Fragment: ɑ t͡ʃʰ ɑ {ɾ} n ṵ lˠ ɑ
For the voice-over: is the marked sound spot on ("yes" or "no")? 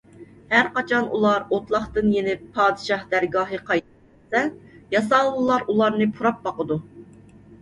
no